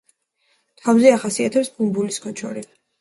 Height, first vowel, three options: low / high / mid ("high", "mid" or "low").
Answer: low